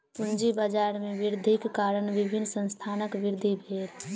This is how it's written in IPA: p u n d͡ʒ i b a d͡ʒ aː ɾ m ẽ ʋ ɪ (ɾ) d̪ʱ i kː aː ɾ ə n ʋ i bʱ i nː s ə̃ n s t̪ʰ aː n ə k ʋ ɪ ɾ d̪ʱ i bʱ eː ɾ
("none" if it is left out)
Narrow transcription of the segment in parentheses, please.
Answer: ɾ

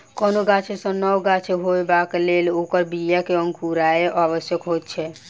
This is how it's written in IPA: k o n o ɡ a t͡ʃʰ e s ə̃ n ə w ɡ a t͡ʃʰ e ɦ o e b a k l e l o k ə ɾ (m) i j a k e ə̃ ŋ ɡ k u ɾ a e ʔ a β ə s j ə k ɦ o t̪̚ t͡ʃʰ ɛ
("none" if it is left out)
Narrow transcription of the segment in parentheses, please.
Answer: b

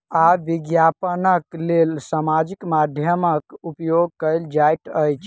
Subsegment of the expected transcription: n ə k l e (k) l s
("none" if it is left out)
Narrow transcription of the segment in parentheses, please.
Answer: none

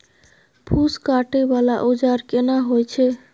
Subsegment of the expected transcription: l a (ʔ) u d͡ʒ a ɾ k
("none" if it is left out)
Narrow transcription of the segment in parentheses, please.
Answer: ʔ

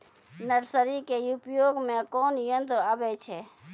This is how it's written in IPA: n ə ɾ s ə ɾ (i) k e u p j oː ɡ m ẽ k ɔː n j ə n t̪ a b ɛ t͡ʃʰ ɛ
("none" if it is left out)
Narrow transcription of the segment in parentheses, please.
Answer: i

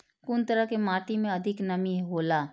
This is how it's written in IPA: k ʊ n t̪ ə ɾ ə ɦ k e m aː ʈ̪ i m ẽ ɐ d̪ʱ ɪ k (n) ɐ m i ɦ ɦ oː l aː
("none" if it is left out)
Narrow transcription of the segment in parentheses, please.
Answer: n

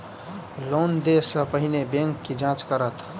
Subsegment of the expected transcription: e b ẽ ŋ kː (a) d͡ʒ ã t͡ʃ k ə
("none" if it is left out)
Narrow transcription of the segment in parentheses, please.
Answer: i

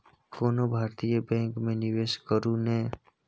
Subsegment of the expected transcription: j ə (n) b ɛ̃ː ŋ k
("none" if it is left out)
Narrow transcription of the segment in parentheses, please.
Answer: none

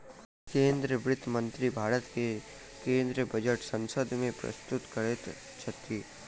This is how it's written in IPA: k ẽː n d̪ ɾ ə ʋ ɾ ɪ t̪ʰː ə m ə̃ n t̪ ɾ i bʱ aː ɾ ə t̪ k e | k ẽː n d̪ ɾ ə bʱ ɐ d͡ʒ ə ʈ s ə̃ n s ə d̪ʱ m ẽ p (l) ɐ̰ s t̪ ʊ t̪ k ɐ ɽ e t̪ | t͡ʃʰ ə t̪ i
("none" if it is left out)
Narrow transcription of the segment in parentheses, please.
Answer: ɾ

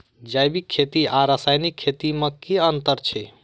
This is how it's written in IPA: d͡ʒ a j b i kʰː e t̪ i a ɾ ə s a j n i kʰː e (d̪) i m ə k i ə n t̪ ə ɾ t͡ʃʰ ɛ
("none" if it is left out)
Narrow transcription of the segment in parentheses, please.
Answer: t̪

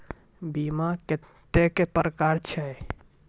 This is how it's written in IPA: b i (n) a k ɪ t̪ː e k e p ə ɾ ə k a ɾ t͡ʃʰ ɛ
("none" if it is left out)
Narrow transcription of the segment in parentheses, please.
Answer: m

